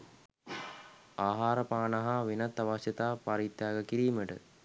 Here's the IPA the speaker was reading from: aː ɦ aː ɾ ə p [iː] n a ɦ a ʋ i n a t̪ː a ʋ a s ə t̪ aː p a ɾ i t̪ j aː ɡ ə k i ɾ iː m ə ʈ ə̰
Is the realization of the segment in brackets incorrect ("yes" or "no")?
yes